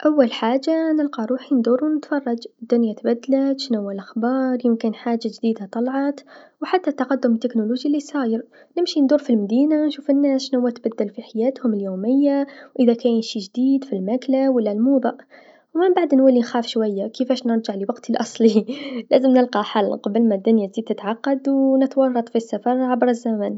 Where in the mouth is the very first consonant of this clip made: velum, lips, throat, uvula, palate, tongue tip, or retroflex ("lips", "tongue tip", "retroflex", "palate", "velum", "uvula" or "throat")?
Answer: throat